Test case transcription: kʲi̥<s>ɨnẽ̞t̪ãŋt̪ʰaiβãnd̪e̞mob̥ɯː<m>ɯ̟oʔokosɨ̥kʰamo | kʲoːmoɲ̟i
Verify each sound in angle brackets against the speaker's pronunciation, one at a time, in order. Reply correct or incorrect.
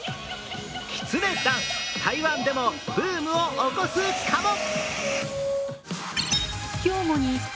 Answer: incorrect, correct

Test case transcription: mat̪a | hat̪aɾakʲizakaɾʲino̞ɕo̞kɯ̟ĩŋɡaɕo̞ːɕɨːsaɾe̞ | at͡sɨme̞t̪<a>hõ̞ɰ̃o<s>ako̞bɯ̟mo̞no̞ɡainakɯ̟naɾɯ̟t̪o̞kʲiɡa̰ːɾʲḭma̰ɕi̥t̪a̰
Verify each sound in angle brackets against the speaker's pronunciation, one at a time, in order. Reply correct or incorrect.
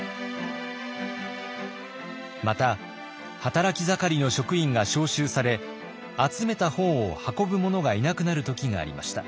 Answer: correct, incorrect

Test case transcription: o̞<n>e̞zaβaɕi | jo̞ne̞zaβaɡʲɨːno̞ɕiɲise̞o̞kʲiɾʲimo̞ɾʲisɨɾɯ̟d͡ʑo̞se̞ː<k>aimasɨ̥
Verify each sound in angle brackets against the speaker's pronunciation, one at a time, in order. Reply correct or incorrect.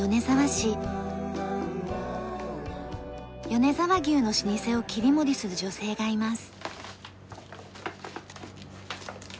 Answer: correct, incorrect

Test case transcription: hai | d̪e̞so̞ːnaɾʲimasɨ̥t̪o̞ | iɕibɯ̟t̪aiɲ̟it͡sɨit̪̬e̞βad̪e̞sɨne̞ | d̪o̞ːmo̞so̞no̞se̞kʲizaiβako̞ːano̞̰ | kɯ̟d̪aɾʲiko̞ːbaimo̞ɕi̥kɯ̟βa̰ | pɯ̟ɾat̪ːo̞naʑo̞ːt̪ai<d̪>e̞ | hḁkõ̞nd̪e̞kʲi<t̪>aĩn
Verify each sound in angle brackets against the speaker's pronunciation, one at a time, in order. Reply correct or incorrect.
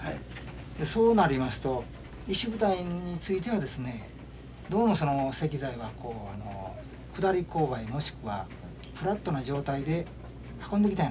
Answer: correct, correct

